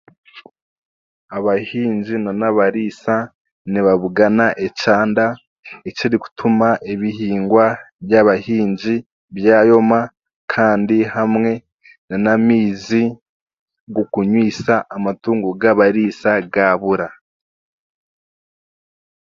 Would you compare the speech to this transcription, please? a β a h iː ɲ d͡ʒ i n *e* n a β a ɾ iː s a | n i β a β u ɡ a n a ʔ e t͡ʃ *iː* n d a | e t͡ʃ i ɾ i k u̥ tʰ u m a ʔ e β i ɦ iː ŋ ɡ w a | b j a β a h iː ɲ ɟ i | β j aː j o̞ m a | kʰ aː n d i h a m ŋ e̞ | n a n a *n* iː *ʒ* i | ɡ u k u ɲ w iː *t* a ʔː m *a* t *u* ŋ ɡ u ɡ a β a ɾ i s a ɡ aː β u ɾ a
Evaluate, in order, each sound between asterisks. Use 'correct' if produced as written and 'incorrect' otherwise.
incorrect: a, incorrect: aː, incorrect: m, incorrect: z, incorrect: s, correct, incorrect: uː

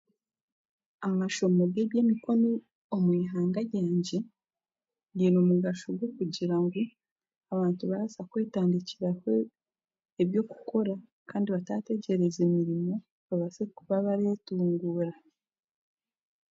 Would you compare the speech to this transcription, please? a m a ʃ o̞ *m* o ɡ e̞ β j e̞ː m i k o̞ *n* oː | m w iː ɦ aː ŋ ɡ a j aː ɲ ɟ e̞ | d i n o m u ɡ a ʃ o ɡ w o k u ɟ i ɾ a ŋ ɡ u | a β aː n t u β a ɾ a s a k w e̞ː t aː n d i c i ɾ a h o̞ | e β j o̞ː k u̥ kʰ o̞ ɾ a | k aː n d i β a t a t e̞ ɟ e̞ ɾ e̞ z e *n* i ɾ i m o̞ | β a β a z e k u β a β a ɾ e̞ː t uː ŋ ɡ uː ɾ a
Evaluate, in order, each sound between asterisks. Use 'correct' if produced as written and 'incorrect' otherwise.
correct, correct, incorrect: m

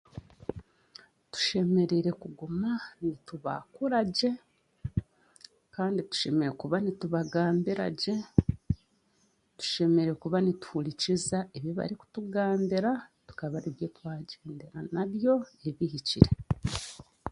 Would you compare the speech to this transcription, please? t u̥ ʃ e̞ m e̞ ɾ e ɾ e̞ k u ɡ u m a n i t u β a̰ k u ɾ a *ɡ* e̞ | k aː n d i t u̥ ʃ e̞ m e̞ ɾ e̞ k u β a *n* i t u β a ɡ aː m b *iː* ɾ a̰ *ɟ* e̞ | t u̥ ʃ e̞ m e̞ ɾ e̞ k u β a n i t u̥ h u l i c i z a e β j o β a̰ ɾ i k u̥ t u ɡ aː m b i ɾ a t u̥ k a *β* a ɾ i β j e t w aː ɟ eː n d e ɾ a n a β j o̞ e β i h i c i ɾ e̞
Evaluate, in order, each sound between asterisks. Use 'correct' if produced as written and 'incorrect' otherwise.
incorrect: ɟ, correct, incorrect: i, correct, correct

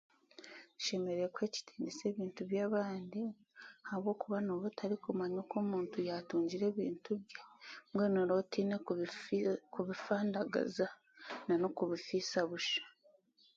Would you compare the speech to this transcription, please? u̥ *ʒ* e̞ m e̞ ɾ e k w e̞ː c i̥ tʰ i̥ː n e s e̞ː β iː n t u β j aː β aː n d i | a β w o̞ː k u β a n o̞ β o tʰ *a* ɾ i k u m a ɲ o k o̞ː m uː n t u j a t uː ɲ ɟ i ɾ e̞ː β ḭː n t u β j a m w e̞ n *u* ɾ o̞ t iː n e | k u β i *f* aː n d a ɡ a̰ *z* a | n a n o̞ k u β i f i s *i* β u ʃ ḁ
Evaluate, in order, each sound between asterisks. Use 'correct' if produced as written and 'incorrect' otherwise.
incorrect: ʃ, correct, incorrect: o, correct, correct, incorrect: a

